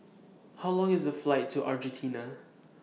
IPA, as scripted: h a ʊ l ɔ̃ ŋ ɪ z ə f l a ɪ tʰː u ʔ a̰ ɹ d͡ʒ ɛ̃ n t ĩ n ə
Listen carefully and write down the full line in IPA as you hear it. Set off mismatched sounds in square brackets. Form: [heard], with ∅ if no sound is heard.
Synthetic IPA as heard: h a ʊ l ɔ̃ ŋ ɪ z ə f l a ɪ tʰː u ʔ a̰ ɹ d͡ʒ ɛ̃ n [tʰ] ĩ n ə